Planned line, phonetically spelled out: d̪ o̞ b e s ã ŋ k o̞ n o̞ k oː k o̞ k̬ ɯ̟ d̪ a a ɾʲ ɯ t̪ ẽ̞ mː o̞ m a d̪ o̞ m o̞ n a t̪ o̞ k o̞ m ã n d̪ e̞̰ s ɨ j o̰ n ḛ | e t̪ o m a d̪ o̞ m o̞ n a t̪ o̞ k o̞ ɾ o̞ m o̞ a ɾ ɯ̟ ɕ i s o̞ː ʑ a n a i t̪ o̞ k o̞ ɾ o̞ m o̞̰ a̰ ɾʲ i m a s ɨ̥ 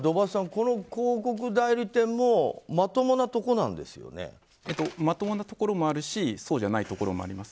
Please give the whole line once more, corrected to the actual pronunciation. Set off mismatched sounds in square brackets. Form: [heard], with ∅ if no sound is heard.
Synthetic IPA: d̪ o̞ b [a] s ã ŋ k o̞ n o̞ k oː k o̞ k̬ ɯ̟ d̪ a [i] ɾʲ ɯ t̪ ẽ̞ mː o̞ m a [t̪] o̞ m o̞ n a t̪ o̞ k o̞ [n] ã n d̪ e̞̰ s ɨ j o̰ n ḛ | e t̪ o m a [t̪] o̞ m o̞ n a t̪ o̞ k o̞ ɾ o̞ m o̞ a ɾ ɯ̟ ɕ i s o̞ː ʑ a n a i t̪ o̞ k o̞ ɾ o̞ m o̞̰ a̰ ɾʲ i m a s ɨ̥